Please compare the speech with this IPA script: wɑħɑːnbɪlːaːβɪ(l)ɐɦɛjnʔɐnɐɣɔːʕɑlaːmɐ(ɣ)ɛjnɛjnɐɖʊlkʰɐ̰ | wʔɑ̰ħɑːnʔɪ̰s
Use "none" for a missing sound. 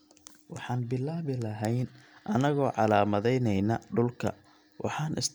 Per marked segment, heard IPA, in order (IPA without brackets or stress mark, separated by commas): l, ð